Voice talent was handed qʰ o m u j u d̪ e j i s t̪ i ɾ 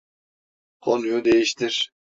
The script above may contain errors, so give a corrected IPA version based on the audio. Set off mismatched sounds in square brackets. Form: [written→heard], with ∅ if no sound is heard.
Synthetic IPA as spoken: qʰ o [m→n] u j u d̪ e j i [s→ʃ] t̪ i ɾ